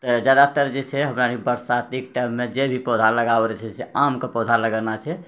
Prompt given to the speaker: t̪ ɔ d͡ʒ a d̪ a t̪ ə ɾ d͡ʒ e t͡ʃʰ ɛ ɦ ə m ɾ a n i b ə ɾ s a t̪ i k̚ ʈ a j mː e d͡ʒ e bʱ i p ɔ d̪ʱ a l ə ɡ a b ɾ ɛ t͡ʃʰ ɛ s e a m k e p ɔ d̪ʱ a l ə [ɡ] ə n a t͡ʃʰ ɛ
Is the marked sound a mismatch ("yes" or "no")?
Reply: no